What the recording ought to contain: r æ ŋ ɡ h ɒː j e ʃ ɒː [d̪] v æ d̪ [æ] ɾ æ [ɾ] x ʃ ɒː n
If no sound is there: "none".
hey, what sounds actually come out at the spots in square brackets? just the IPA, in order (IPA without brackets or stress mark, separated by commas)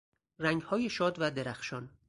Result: d̪, e, none